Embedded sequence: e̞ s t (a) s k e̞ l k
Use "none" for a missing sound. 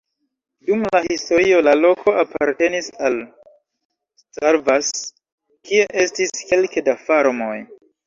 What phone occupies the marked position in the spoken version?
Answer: i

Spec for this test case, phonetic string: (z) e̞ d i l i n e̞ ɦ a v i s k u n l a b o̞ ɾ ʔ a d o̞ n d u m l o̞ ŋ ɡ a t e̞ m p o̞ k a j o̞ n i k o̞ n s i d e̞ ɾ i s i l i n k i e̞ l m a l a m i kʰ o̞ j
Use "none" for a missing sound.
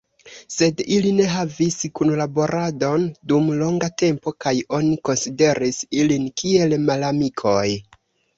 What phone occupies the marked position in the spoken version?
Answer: s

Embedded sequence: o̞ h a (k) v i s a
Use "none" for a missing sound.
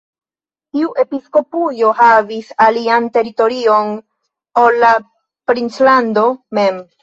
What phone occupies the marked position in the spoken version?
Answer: none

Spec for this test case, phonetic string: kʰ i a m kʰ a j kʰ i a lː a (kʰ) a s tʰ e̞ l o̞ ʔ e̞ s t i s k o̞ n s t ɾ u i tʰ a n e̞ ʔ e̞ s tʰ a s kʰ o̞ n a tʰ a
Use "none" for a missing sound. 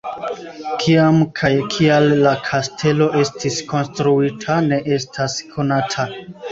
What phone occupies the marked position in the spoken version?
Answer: kʰ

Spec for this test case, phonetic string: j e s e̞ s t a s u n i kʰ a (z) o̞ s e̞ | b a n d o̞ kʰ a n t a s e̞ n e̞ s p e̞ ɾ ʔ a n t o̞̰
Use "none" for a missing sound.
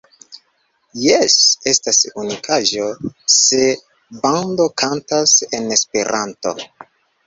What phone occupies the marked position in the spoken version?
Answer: ʒ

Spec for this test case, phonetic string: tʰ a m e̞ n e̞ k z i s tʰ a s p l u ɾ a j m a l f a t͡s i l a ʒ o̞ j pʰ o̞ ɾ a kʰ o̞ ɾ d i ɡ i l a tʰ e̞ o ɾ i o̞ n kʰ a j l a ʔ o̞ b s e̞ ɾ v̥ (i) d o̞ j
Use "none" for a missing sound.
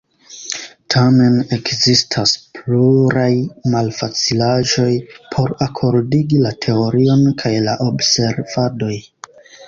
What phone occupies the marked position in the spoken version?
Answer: a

